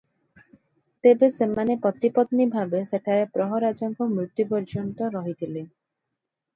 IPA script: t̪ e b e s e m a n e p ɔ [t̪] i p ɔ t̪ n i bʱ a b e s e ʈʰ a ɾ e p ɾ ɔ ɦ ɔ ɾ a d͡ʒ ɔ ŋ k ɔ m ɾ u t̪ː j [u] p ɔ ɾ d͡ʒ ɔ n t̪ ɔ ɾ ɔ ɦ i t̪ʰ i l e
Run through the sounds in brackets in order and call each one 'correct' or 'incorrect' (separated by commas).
correct, correct